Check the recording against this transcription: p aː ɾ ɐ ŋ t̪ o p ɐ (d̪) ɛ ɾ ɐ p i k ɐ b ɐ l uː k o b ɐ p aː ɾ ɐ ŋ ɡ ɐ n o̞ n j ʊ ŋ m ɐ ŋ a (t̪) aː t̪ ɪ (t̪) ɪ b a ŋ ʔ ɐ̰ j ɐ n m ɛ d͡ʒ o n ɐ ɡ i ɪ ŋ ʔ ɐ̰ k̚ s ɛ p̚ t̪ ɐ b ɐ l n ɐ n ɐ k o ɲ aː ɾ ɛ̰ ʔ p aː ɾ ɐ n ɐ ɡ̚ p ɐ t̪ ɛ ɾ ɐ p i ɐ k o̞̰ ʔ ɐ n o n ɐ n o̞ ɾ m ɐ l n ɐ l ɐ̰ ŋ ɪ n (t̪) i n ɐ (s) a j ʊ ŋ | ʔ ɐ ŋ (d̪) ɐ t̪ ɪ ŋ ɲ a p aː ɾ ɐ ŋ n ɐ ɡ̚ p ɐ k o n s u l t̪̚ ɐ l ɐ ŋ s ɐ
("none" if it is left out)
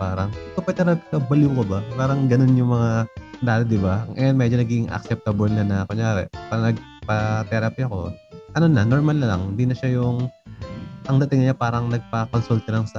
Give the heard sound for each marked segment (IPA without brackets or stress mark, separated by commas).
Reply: t̪, d̪, d̪, d̪, ʃ, d̪